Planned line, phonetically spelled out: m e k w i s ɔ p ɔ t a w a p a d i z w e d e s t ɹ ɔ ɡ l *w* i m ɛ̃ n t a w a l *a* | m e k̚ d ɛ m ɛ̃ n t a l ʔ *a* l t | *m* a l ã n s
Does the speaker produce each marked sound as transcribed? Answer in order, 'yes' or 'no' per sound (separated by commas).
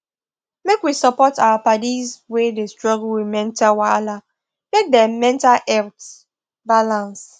yes, yes, no, no